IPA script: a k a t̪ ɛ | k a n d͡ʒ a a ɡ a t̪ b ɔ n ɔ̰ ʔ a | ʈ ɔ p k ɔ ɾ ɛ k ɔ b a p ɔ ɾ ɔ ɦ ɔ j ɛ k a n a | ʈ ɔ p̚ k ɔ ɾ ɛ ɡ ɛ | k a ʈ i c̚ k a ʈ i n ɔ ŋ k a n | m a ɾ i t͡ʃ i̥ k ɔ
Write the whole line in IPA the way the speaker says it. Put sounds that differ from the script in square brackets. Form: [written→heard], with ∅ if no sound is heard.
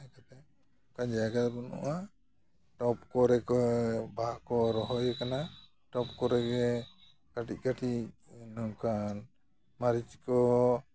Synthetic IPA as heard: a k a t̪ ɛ | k a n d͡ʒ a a ɡ a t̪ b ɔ n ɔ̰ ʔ a | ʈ ɔ p k ɔ ɾ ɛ k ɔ b a [p→k] ɔ ɾ ɔ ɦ ɔ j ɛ k a n a | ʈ ɔ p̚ k ɔ ɾ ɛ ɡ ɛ | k a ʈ i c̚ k a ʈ i n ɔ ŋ k a n | m a ɾ i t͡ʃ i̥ k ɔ